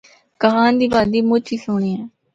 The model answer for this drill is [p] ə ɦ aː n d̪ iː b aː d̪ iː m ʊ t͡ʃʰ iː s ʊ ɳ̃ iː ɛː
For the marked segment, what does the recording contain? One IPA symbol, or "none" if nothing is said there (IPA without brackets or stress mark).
k